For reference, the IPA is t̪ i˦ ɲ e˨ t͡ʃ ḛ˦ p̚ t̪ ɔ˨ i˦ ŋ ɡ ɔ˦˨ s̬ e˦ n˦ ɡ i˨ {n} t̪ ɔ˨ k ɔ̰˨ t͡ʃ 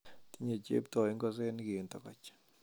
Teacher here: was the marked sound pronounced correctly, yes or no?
yes